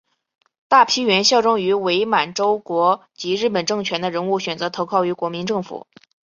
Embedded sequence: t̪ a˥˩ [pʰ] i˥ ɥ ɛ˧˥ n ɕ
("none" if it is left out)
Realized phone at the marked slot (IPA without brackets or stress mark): pʰ